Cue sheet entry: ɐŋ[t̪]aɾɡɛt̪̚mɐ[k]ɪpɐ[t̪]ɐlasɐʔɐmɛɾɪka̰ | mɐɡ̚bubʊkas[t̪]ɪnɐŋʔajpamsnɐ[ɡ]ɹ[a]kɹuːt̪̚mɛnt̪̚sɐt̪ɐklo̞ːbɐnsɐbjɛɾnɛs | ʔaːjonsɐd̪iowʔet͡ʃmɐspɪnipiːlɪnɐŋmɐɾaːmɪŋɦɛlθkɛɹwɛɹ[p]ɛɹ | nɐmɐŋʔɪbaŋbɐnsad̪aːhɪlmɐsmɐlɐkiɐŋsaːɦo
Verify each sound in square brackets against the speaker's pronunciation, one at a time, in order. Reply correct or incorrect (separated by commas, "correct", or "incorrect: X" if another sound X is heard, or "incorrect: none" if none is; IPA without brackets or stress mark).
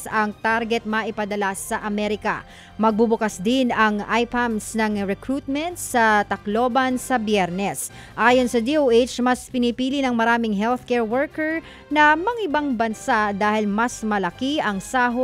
correct, incorrect: ʔ, incorrect: d̪, incorrect: d̪, incorrect: ŋ, incorrect: ɛ, incorrect: k